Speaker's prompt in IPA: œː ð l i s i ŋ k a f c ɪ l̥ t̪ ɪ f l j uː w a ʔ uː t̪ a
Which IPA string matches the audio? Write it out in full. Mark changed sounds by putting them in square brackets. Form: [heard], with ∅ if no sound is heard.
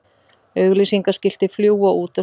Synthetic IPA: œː [ɣ] l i s i ŋ k a [s] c ɪ l̥ t̪ ɪ f l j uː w a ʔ uː t̪ a